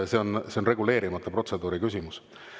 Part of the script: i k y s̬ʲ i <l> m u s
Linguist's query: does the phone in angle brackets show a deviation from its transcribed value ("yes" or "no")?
yes